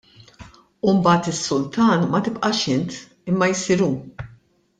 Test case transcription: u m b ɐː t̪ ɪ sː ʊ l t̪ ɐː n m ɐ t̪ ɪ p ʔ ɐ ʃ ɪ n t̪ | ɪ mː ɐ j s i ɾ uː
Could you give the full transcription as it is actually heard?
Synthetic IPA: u m b ɐː t̪ ɪ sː ʊ l t̪ ɐː n m ɐ t̪ ɪ p ʔ ɐ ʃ ɪ n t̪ | ɪ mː ɐ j s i ɾ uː